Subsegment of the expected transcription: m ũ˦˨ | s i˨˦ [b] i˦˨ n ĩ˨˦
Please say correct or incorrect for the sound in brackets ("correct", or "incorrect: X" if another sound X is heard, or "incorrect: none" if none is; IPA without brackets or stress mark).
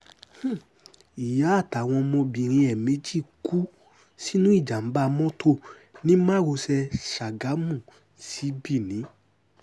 correct